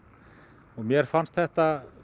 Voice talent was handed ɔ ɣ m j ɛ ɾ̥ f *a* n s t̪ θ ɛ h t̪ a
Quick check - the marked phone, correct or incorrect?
correct